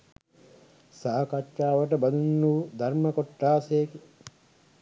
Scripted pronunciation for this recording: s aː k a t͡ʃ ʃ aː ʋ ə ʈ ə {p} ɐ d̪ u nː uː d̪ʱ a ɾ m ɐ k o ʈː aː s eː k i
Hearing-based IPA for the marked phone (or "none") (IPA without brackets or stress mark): b